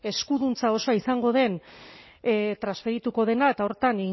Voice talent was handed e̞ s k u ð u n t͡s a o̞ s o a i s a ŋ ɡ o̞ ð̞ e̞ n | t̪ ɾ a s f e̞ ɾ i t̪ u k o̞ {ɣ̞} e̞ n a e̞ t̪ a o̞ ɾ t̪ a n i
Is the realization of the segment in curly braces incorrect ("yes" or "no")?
yes